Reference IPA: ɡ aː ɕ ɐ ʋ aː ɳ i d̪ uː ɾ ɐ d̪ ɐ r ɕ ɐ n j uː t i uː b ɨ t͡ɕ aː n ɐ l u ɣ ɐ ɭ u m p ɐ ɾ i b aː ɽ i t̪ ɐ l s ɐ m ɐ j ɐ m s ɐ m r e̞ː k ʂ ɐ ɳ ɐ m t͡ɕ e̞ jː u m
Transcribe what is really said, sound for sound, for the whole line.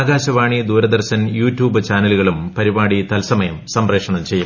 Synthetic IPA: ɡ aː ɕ ɐ ʋ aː ɳ i d̪ uː ɾ ɐ d̪ ɐ r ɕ ɐ n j uː t j uː b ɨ t͡ɕ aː n ɐ l u ɣ ɐ ɭ u m p ɐ ɾ i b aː ɽ i t̪ ɐ l s ɐ m ɐ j ɐ m s ɐ m r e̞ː k ʂ ɐ ɳ ɐ m t͡ɕ e̞ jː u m